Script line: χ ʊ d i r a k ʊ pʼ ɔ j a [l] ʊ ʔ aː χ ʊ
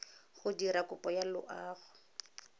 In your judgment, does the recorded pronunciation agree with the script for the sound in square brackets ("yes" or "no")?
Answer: yes